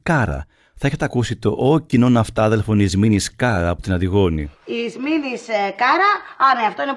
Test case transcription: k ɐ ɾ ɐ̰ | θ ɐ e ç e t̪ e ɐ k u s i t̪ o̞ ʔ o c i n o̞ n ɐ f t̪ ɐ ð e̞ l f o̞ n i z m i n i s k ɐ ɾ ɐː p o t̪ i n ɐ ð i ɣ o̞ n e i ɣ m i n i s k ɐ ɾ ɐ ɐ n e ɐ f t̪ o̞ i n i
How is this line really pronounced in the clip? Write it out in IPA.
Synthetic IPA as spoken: k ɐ ɾ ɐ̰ | θ ɐ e ç e t̪ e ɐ k u s i t̪ o̞ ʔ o c i n o̞ n ɐ f t̪ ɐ ð e̞ l f o̞ n i z m i n i s k ɐ ɾ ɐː p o t̪ i n ɐ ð i ɣ o̞ n i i z m i n i s k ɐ ɾ ɐ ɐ n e ɐ f t̪ o̞ i n e